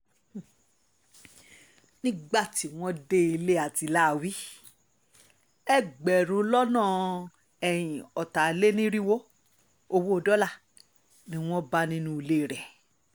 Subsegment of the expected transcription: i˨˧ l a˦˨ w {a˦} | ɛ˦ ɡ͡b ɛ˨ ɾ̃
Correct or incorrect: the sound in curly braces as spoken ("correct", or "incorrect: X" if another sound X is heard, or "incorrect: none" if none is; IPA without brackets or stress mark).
incorrect: i˦